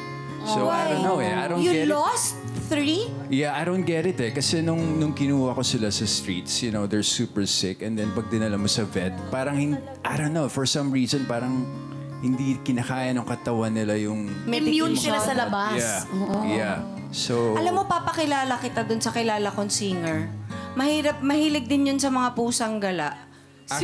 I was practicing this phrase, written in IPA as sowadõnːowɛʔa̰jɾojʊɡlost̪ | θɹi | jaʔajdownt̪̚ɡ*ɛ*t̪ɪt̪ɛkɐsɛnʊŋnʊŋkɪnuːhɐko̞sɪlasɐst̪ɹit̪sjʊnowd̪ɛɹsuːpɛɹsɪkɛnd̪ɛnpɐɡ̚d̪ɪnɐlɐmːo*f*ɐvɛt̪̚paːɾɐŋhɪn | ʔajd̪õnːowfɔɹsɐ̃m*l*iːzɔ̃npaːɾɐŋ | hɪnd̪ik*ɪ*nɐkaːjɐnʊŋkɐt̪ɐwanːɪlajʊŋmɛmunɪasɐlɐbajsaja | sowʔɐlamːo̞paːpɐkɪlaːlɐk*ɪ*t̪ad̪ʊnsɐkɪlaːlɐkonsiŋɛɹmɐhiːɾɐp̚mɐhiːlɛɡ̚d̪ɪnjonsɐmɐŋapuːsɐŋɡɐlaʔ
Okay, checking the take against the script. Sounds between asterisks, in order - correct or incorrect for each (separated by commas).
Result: correct, incorrect, incorrect, correct, correct